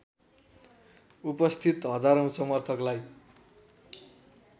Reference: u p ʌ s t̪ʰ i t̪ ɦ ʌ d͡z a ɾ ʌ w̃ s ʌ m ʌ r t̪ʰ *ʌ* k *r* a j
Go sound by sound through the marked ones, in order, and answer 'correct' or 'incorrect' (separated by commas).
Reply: correct, incorrect